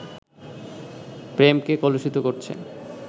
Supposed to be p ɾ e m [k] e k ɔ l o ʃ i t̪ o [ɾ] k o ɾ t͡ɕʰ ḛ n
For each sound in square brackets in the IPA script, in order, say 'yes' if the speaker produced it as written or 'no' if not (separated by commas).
yes, no